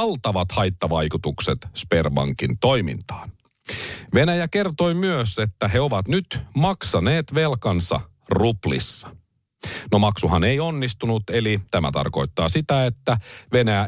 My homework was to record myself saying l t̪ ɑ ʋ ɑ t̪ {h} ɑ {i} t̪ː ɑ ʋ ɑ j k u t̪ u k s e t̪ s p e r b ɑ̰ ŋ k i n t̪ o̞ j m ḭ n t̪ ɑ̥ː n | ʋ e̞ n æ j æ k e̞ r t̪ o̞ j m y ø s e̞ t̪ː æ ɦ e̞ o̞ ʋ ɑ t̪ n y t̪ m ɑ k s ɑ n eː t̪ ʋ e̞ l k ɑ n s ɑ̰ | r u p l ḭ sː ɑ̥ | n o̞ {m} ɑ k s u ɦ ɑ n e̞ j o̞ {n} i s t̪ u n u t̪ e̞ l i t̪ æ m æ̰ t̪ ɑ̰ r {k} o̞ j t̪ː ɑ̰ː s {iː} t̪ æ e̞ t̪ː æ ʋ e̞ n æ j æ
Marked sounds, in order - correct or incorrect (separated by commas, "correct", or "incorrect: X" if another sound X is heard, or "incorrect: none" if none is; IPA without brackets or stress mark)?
correct, incorrect: j, correct, incorrect: nː, correct, incorrect: i